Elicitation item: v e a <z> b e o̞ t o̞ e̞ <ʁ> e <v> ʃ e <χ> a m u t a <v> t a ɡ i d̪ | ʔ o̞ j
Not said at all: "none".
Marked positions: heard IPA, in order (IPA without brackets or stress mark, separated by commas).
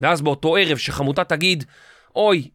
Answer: z, ʁ, v, χ, none